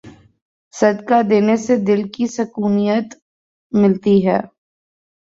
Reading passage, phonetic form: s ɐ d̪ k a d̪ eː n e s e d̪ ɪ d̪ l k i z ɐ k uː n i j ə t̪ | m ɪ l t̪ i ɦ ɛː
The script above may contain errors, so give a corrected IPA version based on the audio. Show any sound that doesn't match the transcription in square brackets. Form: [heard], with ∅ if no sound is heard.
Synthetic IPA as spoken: s ɐ d̪ k a d̪ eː n e s e d̪ ɪ [∅] l k i [s] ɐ k uː n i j ə t̪ | m ɪ l t̪ i ɦ ɛː